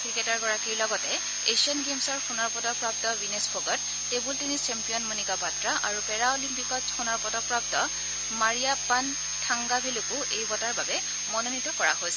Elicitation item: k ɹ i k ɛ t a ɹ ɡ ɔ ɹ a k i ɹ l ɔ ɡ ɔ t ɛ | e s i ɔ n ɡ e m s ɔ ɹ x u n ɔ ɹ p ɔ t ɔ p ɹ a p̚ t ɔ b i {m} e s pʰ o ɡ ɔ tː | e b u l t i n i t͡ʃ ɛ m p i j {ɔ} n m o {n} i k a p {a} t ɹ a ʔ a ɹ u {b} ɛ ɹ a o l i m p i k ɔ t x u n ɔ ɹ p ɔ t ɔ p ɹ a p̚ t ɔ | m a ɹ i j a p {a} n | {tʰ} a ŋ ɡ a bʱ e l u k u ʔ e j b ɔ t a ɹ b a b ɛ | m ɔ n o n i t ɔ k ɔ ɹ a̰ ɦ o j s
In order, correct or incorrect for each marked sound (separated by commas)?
incorrect, correct, correct, correct, incorrect, correct, correct